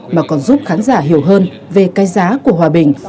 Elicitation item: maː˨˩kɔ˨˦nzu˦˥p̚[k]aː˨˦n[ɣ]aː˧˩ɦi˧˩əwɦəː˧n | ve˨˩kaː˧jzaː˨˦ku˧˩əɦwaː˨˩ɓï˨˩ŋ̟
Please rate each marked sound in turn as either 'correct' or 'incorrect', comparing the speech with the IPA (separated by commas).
incorrect, incorrect